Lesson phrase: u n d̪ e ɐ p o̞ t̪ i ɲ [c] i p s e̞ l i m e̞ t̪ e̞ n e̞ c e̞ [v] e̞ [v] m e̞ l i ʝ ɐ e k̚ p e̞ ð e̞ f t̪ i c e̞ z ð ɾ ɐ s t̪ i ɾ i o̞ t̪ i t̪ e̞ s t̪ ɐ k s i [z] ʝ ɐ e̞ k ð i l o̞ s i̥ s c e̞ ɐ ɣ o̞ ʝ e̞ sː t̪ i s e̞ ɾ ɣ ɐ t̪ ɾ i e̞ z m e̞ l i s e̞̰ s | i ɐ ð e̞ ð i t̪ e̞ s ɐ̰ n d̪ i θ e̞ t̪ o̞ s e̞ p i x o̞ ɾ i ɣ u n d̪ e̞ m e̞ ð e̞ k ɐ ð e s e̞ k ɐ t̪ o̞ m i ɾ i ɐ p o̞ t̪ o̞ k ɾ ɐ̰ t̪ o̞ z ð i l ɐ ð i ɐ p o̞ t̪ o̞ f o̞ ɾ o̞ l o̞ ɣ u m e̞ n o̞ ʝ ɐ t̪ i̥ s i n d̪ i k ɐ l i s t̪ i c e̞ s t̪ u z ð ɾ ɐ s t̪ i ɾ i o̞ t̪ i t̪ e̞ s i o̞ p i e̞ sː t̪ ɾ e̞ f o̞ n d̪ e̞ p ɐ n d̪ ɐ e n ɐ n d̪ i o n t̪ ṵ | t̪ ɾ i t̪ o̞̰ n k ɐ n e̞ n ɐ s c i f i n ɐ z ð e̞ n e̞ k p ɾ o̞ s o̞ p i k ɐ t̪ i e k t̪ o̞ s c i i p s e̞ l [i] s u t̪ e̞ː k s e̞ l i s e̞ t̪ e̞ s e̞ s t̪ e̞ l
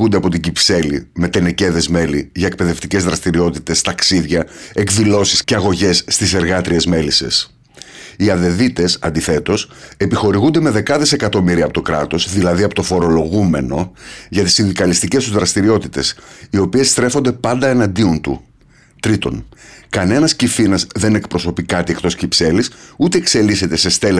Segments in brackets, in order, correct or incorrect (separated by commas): incorrect, incorrect, incorrect, incorrect, correct